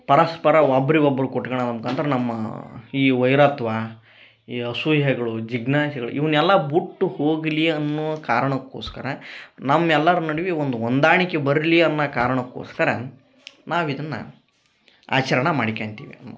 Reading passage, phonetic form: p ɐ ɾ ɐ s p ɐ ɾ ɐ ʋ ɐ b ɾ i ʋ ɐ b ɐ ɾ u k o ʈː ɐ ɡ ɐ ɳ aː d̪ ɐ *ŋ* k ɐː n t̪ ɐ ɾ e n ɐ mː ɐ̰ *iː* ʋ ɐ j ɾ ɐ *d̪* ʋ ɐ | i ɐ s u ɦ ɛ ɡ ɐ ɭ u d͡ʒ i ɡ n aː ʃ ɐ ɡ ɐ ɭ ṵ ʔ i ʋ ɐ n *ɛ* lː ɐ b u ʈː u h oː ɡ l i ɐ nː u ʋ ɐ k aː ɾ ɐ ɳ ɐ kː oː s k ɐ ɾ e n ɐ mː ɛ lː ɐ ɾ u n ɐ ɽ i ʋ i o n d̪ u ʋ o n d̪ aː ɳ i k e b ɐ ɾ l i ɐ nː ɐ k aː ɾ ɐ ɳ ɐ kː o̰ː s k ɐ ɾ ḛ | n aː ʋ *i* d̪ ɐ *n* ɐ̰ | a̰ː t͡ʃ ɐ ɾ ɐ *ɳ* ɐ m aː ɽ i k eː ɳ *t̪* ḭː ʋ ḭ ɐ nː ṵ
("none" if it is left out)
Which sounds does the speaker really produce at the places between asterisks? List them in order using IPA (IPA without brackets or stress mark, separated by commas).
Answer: m, iː, t̪, ɛ, i, nː, ɳ, t̪